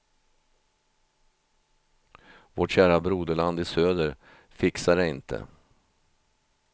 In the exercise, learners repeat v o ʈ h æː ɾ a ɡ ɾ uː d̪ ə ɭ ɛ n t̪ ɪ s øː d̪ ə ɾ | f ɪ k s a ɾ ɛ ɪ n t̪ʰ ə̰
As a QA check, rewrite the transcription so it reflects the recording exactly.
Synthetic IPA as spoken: v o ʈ ɕ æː ɾ a b ɾ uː d̪ ə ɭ a n d̪ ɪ s øː d̪ ə ɾ | f ɪ k s a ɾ ɛ ɪ n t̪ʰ ə̰